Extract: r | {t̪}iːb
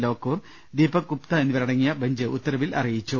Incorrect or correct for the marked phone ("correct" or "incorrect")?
incorrect